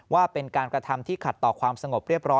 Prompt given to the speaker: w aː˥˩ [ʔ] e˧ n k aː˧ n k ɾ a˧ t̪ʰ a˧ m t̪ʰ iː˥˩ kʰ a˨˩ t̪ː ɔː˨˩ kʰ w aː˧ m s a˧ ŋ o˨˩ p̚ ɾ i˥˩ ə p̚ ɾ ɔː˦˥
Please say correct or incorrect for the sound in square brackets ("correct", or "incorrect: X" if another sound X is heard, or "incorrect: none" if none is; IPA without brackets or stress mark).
incorrect: p